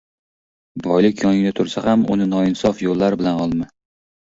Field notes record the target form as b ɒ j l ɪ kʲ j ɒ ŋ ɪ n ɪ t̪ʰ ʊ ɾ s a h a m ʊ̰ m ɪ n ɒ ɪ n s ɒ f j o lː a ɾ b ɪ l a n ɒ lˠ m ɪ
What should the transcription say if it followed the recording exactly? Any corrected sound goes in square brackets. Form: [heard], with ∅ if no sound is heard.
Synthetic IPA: b ɒ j l ɪ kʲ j ɒ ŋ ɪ n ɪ t̪ʰ ʊ ɾ s a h a m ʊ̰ [n] ɪ n ɒ ɪ n s ɒ f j o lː a ɾ b ɪ l a n ɒ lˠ m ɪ